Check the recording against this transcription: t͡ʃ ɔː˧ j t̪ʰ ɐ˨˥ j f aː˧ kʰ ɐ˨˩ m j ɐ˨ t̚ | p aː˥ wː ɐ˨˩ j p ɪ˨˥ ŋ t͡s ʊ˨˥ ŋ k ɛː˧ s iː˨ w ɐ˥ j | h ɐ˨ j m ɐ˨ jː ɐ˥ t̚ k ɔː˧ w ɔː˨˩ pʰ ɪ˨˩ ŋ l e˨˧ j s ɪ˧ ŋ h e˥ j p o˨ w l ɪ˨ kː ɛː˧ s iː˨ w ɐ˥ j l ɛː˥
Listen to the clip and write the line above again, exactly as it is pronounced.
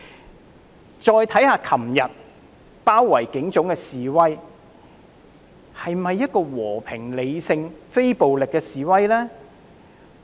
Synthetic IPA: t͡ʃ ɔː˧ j t̪ʰ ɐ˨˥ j h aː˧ kʰ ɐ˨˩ m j ɐ˨ t̚ | p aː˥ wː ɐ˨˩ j k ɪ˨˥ ŋ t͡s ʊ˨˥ ŋ k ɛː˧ s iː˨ w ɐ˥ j | h ɐ˨ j m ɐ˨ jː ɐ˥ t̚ k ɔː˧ w ɔː˨˩ pʰ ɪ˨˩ ŋ l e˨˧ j s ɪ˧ ŋ f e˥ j p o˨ w l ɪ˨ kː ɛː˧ s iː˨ w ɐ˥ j l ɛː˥